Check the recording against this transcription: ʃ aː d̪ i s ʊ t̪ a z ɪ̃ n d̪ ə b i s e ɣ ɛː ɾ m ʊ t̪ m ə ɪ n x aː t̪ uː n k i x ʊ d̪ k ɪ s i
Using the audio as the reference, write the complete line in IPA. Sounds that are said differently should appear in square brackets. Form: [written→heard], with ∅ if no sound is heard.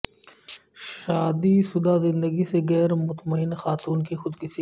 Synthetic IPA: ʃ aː d̪ i s ʊ [t̪→d̪] a z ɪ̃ n d̪ ə [b→ɡ] i s e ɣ ɛː ɾ m ʊ t̪ m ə ɪ n x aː t̪ uː n k i x ʊ d̪ k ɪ s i